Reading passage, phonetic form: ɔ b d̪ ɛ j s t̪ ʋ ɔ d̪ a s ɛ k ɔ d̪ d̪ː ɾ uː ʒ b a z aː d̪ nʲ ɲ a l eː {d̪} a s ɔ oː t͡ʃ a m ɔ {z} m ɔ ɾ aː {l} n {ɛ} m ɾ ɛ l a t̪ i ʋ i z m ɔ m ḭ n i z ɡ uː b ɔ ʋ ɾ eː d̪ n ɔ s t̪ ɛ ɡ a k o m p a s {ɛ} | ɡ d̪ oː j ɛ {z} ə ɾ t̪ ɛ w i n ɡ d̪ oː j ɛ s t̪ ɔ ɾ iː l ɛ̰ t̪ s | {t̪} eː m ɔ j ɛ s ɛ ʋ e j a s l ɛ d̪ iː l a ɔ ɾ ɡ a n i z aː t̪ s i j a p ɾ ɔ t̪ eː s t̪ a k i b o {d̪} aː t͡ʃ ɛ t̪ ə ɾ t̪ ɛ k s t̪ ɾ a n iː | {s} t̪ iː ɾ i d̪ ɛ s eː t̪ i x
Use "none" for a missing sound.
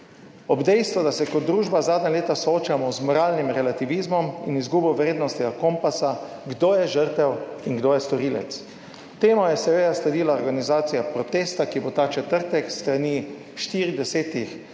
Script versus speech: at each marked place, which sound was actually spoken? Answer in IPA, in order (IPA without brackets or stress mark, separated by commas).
t̪, z, l, i, a, ʒ, t̪, t̪, ʃ